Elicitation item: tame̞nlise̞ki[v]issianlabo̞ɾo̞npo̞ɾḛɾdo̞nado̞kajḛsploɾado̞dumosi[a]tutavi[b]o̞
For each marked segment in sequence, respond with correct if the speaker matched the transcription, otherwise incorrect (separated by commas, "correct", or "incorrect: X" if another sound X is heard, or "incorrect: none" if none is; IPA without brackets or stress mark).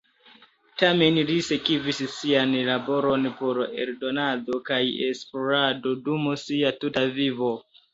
correct, correct, incorrect: v